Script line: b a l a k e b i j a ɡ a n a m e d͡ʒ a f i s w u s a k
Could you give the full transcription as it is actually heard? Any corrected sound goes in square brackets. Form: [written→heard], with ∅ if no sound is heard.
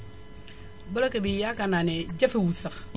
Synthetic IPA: b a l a k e b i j a [ɡ→k] a n a [m→n] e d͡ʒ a f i [s→∅] w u s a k